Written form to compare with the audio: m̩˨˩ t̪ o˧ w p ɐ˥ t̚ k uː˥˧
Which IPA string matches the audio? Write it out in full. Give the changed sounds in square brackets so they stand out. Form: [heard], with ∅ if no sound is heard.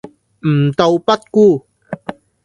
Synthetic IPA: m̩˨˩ t̪ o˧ w p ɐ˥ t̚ k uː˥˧